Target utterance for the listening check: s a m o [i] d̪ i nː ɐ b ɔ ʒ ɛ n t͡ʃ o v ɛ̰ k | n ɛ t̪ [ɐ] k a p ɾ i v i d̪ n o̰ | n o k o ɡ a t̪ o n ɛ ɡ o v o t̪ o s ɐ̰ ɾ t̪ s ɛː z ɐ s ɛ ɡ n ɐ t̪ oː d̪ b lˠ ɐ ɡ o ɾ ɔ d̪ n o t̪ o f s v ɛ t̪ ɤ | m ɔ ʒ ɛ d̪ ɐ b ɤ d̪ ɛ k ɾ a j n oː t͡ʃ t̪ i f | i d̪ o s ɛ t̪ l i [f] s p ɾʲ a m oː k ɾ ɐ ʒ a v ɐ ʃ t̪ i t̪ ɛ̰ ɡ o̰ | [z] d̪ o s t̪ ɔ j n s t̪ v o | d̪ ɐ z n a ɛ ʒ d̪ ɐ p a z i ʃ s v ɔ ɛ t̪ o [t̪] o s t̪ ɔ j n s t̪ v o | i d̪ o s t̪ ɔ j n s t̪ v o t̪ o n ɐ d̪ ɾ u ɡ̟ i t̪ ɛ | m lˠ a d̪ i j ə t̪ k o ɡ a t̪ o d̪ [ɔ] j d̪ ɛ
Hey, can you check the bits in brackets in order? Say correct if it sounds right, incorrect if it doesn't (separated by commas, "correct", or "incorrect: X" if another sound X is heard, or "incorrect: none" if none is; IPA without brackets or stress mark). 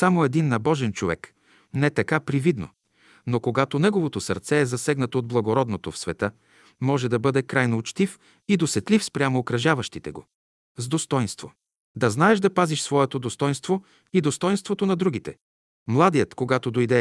incorrect: ɛ, correct, correct, correct, incorrect: d̪, incorrect: o